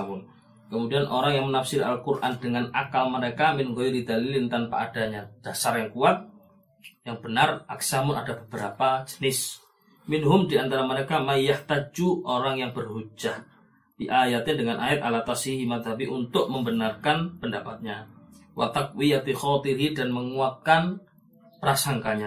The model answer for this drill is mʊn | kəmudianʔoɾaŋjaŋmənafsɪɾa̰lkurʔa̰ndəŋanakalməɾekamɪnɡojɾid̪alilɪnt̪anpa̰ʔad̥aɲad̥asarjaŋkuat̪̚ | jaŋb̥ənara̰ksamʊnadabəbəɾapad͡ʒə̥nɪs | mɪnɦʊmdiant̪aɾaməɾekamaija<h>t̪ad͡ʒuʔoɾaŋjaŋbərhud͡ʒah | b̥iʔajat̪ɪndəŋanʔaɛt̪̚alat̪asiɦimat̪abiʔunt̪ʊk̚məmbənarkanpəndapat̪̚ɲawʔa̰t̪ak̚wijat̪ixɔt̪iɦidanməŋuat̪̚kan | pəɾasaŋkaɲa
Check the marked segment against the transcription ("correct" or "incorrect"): correct